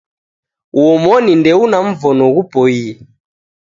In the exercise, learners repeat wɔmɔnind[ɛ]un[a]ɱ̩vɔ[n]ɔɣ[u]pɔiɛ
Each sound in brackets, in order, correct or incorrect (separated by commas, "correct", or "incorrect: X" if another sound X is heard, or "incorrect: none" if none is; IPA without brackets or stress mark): correct, correct, correct, correct